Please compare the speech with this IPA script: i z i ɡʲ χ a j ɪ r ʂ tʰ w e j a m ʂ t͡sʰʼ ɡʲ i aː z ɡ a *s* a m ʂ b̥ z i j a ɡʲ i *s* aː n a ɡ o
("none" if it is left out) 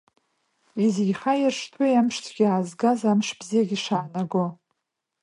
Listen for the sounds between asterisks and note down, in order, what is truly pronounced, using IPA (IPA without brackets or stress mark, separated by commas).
z, ʂ